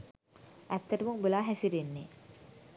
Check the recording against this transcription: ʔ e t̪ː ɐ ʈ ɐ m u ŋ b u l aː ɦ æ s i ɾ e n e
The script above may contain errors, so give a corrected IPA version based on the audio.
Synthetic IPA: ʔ æ t̪ː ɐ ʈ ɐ m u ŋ b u l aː ɦ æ s i ɾ e nː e